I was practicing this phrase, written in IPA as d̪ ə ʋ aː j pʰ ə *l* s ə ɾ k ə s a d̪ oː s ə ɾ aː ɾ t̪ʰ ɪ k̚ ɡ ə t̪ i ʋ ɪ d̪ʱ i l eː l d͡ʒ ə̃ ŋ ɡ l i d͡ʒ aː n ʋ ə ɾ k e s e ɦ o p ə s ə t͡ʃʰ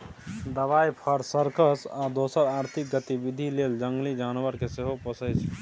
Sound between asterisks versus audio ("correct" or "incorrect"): incorrect